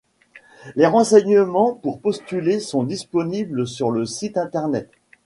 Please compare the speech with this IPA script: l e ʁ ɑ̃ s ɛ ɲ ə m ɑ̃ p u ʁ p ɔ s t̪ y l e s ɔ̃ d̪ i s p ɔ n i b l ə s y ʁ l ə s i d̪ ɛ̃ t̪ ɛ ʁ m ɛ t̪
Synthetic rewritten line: l e ʁ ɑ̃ s ɛ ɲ ə m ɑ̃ p u ʁ p ɔ s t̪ y l e s ɔ̃ d̪ i s p ɔ n i b l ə s y ʁ l ə s i t̪ ɛ̃ t̪ ɛ ʁ n ɛ t̪